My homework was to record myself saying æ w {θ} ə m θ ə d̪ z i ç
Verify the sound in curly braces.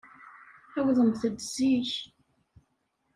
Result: incorrect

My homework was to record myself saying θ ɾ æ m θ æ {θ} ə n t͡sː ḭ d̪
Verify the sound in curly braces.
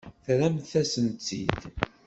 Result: incorrect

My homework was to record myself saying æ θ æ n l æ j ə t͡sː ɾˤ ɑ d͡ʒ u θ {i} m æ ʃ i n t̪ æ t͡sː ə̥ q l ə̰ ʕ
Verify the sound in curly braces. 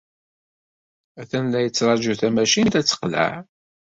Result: incorrect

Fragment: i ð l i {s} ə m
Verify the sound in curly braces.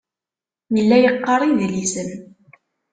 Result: correct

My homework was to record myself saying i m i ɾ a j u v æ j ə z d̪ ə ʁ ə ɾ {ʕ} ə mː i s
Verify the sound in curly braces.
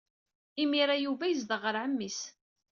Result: correct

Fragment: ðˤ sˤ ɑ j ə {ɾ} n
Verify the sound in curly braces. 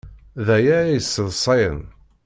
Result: incorrect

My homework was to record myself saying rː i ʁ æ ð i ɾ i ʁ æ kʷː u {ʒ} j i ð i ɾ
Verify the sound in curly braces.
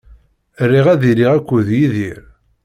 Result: incorrect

